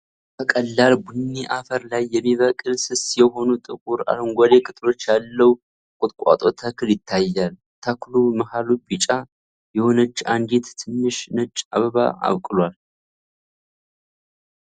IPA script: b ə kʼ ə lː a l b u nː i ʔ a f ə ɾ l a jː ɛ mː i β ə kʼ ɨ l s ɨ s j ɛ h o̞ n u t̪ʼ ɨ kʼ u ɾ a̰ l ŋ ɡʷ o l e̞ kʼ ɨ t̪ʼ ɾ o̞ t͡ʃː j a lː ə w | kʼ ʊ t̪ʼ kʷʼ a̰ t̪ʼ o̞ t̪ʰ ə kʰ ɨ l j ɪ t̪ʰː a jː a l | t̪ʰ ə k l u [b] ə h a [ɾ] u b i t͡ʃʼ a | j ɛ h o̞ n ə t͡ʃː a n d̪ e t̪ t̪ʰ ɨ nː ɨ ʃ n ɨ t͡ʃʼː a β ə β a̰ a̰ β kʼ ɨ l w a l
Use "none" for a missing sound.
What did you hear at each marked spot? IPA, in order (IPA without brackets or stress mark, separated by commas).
m, l